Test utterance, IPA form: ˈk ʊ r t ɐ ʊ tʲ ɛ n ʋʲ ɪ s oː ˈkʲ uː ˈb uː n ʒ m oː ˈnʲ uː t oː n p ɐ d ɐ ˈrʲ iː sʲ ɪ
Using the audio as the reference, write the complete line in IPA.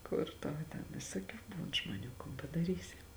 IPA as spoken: ˈk ʊ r t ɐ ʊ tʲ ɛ n ʋʲ ɪ s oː ˈkʲ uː ˈb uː n ʒ m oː ˈnʲ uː k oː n p ɐ d ɐ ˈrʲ iː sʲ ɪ